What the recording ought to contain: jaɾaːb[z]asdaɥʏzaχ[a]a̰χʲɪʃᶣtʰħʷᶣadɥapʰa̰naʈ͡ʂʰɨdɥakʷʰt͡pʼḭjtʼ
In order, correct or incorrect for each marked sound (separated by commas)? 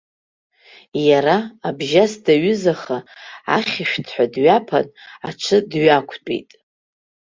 incorrect, correct